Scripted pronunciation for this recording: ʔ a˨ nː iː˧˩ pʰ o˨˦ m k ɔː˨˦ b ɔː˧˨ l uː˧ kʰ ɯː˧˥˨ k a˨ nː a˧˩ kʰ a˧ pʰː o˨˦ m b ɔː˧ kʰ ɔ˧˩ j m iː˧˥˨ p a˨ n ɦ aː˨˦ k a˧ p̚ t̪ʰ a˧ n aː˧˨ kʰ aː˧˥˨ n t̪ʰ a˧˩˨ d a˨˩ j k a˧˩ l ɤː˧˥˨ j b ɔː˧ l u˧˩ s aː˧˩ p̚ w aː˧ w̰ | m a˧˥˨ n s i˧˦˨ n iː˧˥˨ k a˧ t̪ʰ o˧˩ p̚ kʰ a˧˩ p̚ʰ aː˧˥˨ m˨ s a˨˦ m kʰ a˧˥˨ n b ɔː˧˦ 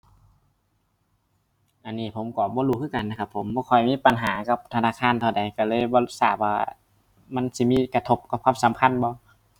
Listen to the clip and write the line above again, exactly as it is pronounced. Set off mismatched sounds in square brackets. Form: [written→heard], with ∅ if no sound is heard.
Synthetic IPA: ʔ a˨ nː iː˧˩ pʰ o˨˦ m k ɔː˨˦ b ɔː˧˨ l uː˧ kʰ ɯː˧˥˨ k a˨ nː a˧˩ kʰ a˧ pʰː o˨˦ m b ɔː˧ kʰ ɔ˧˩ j m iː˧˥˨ p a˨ n ɦ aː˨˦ k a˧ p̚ t̪ʰ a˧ n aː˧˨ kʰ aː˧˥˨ n t̪ʰ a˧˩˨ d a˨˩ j k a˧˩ l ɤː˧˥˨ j b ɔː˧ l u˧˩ s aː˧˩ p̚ w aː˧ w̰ | m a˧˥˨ n s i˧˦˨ [n→m] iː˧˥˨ k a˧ t̪ʰ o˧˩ p̚ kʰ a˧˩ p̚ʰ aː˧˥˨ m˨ s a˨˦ m kʰ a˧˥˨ n b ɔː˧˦